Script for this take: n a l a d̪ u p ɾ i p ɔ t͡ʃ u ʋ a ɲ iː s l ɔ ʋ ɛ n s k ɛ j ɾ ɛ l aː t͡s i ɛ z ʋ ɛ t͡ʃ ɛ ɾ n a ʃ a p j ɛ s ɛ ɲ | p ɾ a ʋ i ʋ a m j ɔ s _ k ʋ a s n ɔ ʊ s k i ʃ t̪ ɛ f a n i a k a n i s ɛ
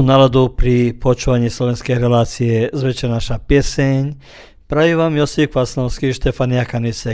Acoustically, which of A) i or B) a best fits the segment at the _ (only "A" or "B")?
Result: A